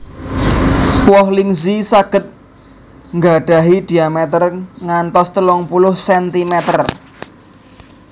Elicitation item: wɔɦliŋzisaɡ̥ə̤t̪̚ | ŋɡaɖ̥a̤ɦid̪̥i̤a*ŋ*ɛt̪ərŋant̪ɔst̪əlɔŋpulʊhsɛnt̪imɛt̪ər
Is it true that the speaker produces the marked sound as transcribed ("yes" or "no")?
no